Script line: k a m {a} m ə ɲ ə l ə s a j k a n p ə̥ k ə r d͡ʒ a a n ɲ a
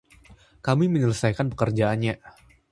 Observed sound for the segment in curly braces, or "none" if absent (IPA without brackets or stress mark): i